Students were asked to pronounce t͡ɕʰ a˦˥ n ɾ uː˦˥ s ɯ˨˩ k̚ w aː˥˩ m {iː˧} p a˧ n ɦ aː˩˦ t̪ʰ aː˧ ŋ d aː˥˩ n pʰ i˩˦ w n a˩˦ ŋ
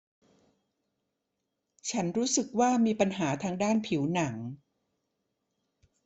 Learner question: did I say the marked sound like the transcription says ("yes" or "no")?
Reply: yes